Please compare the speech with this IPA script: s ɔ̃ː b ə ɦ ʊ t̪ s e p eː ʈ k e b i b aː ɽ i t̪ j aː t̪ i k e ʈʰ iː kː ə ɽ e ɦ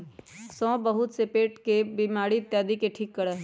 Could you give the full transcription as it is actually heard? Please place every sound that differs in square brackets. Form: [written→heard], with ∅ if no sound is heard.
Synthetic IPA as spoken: s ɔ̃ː b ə ɦ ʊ t̪ s e p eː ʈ k e b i [b→m] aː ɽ i t̪ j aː [t̪→d̪] i k e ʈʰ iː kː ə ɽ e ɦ